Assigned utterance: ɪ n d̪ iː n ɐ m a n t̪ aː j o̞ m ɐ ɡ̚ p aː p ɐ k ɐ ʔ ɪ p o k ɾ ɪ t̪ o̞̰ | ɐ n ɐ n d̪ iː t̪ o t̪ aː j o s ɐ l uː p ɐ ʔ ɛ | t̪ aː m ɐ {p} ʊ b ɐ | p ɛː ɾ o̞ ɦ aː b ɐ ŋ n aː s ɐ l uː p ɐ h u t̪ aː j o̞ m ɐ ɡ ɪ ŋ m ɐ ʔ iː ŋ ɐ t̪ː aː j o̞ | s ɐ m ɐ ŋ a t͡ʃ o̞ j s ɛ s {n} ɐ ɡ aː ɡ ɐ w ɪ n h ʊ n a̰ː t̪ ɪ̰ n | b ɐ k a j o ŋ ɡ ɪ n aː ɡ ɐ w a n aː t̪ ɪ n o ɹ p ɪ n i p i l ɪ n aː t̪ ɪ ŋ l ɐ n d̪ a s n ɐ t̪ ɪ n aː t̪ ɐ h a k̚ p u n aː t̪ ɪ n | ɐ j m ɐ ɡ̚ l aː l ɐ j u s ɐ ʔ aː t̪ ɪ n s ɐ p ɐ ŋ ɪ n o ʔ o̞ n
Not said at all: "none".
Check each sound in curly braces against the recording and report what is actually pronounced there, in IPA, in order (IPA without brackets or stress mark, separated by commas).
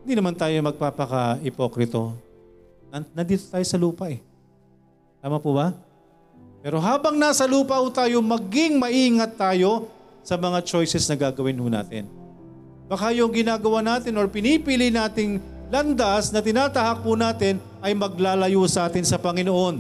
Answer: p, n